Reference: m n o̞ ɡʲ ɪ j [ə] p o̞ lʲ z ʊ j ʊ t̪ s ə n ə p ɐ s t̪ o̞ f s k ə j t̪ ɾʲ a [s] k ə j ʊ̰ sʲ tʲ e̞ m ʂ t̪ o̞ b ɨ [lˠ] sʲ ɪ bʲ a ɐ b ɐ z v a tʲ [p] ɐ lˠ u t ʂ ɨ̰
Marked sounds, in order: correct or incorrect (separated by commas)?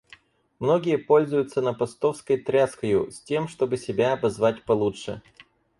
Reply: correct, correct, incorrect, correct